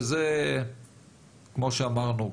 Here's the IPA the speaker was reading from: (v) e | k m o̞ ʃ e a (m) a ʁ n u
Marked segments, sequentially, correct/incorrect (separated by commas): incorrect, correct